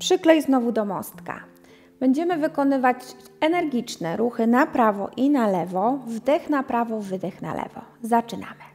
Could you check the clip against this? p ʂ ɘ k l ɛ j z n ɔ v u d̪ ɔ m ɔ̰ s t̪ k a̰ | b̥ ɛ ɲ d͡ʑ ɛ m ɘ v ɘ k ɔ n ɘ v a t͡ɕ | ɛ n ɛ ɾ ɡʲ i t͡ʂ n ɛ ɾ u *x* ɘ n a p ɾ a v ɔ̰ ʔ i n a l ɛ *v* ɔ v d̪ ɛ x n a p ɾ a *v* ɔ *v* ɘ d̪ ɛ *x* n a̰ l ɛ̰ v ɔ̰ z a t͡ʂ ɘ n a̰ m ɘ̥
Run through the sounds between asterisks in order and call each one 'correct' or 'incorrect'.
correct, correct, correct, correct, correct

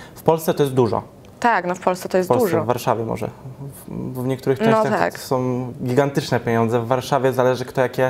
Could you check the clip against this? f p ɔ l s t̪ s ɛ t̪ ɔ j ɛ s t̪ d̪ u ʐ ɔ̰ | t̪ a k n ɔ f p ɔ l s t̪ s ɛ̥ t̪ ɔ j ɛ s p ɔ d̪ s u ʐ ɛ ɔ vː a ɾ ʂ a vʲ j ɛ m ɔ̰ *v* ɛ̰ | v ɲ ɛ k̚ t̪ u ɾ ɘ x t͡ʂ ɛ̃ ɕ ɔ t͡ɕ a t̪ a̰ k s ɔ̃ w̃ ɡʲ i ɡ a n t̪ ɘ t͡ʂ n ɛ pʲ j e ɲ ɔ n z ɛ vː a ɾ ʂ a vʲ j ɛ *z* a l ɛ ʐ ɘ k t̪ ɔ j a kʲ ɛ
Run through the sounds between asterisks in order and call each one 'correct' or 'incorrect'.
incorrect: ʐ, correct

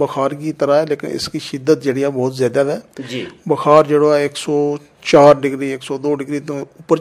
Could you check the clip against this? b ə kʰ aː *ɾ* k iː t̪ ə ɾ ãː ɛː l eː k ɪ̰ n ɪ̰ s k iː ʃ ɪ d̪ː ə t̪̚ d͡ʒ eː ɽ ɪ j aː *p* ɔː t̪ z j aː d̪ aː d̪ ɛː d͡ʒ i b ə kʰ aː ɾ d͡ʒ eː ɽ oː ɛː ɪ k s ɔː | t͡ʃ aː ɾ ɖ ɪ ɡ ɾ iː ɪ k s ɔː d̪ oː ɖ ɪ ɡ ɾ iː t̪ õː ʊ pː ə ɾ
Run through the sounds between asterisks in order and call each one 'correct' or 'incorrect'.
correct, incorrect: b

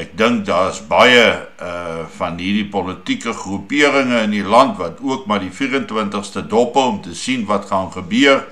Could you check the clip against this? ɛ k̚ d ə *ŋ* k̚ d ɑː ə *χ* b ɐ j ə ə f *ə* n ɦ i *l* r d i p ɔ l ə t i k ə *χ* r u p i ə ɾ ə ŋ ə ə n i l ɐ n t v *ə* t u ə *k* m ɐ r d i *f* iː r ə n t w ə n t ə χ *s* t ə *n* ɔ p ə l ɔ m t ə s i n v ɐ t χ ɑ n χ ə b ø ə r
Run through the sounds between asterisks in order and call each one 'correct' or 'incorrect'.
correct, incorrect: s, incorrect: ɐ, incorrect: none, correct, incorrect: ɐ, correct, correct, correct, incorrect: d

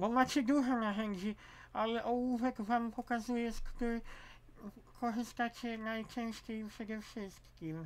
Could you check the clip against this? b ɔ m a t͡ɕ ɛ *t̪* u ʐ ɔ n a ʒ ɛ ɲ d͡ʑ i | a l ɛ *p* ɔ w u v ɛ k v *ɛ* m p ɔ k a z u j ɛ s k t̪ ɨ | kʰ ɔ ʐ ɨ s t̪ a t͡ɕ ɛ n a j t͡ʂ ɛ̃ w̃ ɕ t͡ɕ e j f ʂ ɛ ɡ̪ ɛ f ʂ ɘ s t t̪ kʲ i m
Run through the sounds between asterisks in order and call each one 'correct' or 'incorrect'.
incorrect: d̪, incorrect: ʔ, incorrect: a

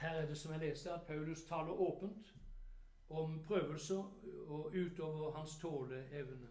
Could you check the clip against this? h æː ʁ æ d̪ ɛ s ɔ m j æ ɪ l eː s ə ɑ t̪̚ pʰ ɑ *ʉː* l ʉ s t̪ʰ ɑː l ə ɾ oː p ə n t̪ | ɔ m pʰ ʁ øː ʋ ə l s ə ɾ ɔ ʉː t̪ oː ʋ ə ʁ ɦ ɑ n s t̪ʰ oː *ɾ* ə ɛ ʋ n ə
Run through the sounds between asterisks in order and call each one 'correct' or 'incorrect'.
incorrect: ʉ, incorrect: l

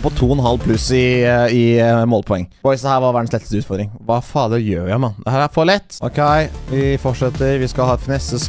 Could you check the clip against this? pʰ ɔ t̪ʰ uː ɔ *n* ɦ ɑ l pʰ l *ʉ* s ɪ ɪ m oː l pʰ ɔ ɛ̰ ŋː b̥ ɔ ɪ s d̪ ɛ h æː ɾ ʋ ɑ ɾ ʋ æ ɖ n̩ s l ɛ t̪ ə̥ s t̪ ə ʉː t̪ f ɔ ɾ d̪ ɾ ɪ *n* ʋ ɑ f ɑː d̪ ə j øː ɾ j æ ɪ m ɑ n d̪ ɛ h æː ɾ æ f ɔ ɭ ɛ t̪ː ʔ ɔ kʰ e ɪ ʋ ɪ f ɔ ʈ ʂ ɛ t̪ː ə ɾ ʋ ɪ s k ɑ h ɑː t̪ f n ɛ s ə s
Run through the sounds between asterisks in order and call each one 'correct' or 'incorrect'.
correct, correct, incorrect: ŋ

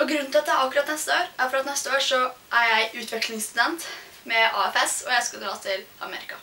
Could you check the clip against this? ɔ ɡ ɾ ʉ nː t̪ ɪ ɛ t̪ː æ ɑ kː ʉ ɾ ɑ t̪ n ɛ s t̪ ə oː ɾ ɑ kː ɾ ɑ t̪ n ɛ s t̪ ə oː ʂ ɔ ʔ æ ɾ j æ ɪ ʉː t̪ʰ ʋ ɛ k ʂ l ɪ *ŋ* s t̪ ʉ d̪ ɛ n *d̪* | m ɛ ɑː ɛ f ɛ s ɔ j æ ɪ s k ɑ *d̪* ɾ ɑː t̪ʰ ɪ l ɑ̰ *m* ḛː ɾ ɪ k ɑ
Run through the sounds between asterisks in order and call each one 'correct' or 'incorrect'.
correct, incorrect: t̪, correct, correct

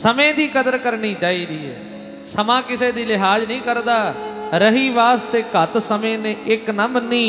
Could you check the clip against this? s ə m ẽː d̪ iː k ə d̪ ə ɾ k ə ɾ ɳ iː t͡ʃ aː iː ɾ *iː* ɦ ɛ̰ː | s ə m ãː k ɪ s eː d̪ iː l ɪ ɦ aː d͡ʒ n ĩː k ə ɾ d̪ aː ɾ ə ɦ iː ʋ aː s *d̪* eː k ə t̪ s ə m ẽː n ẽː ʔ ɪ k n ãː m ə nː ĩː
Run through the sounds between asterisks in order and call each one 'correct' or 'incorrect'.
correct, incorrect: t̪

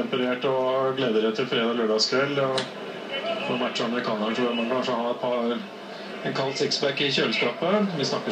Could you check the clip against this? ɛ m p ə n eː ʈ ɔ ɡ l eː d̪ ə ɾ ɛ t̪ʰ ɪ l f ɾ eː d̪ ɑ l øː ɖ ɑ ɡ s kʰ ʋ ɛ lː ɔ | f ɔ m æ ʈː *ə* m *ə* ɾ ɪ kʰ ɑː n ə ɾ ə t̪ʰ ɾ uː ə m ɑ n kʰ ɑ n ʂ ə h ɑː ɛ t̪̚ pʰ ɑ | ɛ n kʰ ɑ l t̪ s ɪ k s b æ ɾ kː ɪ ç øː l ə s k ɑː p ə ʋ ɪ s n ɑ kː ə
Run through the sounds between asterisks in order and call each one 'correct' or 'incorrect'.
incorrect: ɑ, correct

